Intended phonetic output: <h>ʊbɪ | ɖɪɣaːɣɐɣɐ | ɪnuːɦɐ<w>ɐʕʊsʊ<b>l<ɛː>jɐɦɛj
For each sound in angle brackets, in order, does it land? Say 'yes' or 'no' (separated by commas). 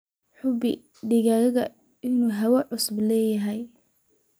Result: no, yes, yes, yes